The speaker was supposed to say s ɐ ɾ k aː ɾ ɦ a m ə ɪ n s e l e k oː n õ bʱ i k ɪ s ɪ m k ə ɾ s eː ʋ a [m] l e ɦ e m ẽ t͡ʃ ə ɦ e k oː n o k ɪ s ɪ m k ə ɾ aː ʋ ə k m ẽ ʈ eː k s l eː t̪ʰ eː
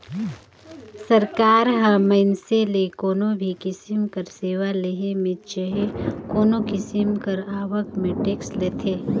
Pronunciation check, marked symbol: incorrect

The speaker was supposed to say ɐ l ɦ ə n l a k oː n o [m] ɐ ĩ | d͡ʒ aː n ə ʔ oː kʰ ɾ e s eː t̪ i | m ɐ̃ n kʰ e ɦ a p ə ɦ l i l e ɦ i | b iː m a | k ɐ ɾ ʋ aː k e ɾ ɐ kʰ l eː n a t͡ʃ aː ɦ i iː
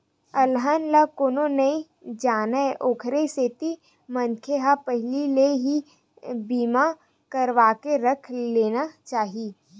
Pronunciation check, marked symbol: incorrect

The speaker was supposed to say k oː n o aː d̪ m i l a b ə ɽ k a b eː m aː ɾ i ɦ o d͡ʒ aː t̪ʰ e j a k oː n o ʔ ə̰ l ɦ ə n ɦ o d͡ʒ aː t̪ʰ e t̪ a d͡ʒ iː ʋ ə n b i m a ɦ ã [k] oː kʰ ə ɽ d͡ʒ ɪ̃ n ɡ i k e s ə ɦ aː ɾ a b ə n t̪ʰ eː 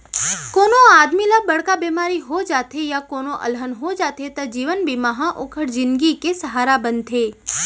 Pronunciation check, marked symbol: incorrect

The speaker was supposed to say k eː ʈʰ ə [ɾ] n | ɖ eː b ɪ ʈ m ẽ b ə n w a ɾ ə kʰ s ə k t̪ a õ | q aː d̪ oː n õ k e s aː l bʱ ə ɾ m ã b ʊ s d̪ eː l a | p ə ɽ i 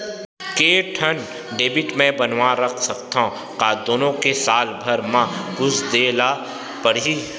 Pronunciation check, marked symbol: incorrect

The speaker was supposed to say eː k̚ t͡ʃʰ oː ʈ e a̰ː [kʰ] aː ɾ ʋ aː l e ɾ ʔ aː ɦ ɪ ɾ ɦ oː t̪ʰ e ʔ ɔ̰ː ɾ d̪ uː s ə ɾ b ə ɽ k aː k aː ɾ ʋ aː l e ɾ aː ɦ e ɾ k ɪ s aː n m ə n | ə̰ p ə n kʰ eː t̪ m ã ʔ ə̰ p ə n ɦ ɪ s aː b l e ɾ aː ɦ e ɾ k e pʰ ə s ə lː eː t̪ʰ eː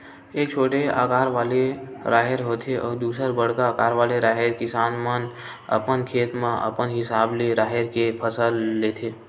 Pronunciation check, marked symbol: incorrect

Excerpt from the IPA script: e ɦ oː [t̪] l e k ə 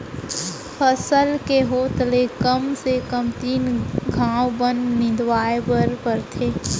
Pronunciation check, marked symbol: correct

